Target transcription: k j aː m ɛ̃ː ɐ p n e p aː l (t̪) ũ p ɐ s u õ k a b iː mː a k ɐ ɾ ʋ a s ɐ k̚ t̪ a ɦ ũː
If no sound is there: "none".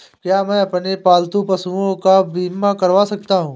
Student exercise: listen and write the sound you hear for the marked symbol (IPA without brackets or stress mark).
t̪